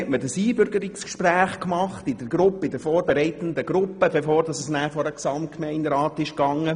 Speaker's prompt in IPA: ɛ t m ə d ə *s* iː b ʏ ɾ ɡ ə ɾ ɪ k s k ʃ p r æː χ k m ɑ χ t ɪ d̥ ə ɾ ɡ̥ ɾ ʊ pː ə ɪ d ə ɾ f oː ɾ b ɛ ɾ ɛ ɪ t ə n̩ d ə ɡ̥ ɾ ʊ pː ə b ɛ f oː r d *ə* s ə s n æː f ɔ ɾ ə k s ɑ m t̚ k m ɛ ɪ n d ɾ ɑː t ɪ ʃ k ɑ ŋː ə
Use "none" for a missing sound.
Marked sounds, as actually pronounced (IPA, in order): s, ɑ

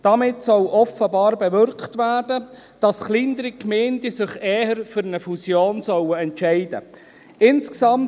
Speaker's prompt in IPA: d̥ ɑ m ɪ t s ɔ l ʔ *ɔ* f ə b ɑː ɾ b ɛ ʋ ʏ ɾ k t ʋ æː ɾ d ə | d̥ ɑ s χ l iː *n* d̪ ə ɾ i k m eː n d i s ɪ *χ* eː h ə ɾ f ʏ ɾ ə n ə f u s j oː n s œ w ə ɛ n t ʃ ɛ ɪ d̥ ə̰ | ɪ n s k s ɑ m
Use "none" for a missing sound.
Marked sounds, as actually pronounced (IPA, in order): ɔ, n, χ

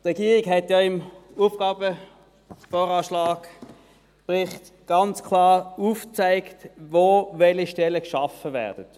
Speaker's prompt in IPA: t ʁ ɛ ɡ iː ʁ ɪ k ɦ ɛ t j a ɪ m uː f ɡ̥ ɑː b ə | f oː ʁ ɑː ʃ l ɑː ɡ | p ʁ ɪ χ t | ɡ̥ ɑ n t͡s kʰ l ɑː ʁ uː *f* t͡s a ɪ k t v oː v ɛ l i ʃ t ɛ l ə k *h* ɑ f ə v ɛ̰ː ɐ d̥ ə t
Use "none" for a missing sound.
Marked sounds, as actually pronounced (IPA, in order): f, ʃ

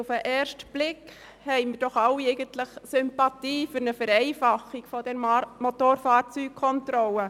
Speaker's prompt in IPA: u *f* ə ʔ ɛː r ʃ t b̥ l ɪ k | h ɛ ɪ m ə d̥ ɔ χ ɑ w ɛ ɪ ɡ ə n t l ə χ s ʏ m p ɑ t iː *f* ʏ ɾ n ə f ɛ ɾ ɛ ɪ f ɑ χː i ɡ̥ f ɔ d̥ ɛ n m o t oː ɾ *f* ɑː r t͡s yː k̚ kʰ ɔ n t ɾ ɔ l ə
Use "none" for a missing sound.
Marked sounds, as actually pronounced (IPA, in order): f, f, f

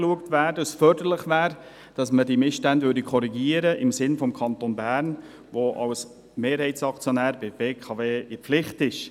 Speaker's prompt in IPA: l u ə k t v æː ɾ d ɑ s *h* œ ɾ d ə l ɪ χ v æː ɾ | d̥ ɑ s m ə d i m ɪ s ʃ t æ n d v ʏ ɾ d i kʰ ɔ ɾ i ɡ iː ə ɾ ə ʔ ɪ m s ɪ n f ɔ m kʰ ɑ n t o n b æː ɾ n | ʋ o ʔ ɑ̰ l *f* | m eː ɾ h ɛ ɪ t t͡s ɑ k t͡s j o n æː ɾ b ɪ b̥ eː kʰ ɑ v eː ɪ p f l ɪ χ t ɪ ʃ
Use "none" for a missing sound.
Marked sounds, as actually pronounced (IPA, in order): f, s

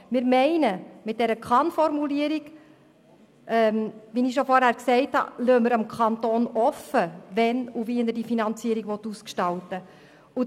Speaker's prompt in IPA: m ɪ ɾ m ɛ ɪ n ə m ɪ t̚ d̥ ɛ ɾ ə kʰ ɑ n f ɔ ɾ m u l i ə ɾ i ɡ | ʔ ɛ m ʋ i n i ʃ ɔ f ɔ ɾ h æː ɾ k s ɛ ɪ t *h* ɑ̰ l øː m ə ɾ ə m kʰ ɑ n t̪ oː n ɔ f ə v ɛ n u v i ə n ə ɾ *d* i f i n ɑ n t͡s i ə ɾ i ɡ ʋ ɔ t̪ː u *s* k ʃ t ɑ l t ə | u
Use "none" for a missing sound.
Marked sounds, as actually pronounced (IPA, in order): h, d, s

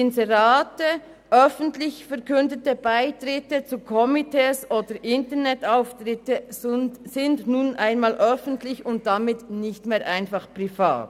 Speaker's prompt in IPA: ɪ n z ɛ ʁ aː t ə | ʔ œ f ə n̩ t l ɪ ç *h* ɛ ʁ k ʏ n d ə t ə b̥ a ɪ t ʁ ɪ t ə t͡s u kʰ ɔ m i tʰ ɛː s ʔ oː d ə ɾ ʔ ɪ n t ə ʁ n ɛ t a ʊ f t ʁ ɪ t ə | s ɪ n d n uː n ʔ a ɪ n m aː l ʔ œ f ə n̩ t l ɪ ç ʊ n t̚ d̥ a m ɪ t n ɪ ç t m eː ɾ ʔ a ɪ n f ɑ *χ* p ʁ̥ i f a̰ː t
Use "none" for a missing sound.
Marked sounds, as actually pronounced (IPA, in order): f, χ

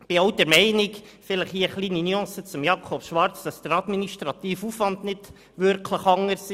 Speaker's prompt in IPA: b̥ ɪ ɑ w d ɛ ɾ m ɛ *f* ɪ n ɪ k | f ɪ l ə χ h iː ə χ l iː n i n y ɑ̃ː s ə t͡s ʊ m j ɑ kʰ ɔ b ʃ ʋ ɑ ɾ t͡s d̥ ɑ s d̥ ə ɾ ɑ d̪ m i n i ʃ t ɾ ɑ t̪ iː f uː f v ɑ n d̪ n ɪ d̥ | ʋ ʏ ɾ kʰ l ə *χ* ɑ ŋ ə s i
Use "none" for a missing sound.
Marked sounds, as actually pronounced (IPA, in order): none, χ

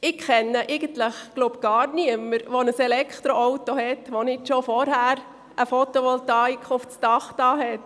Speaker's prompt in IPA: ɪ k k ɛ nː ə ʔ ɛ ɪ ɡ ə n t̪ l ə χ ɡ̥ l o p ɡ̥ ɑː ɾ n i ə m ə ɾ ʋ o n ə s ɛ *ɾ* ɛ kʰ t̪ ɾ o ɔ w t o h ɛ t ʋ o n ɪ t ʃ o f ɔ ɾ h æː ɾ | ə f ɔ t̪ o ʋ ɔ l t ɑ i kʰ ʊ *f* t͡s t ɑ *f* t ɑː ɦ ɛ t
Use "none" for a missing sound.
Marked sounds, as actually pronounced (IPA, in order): l, f, χ

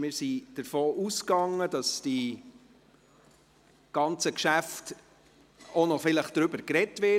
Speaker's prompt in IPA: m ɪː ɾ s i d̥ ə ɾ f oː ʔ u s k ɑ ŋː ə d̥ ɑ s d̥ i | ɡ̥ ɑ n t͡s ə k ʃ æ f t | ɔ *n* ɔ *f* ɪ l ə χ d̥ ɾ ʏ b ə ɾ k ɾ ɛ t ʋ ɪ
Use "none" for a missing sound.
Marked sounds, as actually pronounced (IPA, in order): n, f

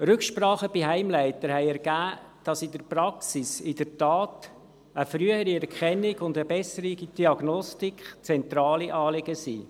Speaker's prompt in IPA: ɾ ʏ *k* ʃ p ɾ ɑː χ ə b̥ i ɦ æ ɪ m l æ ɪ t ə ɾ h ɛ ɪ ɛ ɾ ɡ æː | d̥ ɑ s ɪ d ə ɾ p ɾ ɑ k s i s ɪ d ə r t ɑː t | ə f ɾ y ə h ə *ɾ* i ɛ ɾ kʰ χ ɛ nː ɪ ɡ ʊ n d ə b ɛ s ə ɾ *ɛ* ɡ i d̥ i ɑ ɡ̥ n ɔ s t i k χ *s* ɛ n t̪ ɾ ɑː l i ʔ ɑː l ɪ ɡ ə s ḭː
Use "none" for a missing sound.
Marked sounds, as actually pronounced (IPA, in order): k, ɾ, i, t͡s

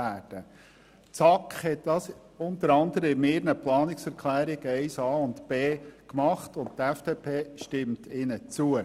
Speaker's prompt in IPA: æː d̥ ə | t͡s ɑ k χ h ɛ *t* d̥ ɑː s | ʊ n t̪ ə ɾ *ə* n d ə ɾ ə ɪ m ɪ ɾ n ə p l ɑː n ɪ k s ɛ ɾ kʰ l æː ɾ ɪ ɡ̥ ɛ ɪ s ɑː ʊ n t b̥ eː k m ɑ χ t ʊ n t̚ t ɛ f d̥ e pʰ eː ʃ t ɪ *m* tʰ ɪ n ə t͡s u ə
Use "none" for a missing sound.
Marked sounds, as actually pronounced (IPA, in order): t, ɑ, m

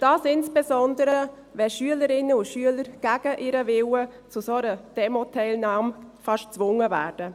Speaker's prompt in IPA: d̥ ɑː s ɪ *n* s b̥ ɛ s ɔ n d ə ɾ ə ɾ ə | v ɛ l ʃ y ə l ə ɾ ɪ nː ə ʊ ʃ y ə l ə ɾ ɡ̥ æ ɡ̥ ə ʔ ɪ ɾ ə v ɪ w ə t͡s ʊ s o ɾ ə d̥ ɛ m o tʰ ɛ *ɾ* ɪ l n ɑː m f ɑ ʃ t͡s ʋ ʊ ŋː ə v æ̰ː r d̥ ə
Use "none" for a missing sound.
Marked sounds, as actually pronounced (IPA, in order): n, none

